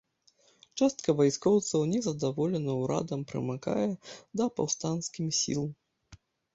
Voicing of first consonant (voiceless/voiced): voiceless